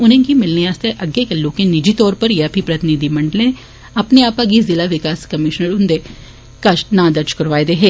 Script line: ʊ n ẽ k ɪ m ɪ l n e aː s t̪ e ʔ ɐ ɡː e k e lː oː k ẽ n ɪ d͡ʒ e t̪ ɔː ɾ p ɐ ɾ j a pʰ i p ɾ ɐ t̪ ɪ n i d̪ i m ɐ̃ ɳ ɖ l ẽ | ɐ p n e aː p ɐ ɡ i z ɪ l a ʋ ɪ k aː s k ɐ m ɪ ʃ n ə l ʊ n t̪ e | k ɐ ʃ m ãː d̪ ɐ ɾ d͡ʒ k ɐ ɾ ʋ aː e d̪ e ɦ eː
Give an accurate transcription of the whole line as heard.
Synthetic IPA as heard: ʊ n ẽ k i m ɪ l n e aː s t̪ e ʔ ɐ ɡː e k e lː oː k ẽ n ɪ d͡ʒ i t̪ ɔː ɾ p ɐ ɾ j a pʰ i p ɾ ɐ t̪ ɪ n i d̪ i m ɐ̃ ɳ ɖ l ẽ | ɐ p n e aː p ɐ ɡ i z ɪ l a ʋ ɪ k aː s k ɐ m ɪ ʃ n ə ɾ ʊ n d̪ e | k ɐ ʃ n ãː d̪ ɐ ɾ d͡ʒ k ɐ ɾ ʋ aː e d̪ e ɦ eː